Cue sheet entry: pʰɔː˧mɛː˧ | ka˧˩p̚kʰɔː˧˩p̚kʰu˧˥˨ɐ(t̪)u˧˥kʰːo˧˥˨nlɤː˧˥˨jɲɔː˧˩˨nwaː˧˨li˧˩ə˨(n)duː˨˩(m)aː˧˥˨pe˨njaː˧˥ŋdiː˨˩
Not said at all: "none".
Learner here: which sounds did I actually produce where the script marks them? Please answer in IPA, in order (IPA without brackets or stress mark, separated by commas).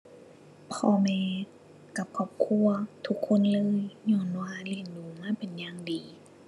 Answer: t̪ʰ, n, m